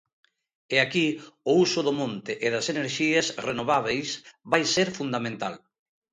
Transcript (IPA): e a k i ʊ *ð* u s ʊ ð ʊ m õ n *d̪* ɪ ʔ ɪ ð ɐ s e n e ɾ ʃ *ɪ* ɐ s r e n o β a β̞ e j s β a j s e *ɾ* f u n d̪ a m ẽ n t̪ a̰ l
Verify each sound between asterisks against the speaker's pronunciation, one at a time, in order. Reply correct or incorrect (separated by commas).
incorrect, incorrect, incorrect, correct